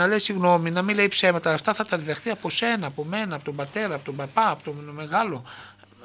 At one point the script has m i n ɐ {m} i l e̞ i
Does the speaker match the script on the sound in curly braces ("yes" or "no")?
yes